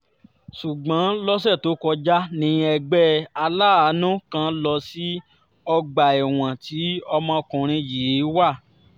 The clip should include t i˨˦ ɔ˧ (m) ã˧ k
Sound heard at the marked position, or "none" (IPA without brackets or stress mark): m